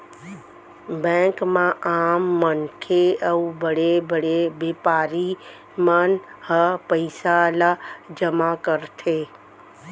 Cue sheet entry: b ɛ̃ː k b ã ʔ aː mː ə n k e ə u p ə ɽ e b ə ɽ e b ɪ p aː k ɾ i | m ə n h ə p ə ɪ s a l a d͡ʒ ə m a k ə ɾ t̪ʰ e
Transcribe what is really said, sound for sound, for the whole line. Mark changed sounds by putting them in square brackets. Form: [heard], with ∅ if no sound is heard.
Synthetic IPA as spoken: b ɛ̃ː k [m] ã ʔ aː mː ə n [kʰ] e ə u [b] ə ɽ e b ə ɽ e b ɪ p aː [∅] ɾ i | m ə n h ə p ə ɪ s a l a d͡ʒ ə m a k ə ɾ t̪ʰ e